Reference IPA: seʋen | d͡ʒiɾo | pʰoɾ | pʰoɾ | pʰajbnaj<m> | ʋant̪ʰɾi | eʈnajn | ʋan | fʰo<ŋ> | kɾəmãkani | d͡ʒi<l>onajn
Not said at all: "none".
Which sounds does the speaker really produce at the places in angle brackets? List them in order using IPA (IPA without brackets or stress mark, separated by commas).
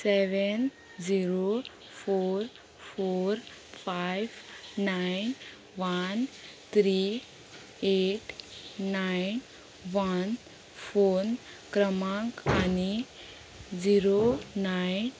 n, n, ɾ